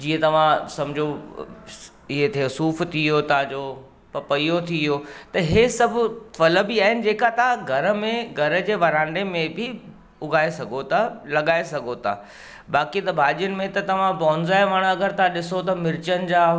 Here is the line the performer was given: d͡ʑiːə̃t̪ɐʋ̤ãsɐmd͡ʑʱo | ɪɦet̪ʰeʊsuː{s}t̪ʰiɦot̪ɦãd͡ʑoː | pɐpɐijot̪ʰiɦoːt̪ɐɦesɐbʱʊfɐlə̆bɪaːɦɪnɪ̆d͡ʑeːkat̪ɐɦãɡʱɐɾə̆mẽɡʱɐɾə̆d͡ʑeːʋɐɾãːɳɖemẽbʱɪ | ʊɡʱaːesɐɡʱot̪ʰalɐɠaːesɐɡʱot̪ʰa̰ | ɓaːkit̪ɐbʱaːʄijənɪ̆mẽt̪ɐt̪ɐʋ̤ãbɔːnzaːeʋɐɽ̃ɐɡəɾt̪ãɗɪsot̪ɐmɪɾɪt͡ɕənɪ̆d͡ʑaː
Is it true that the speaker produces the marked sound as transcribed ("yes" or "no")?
no